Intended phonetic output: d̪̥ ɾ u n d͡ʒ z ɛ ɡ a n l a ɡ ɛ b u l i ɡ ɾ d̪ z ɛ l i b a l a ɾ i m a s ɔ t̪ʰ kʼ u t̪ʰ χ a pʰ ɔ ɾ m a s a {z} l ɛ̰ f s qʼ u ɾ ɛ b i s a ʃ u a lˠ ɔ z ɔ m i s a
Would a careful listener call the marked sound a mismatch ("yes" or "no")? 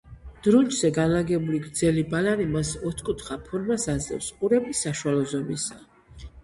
no